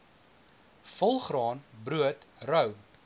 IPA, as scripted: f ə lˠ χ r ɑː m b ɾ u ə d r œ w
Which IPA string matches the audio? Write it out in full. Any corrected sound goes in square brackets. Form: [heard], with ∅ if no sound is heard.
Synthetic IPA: f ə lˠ χ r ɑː [n] b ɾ u ə [t] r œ w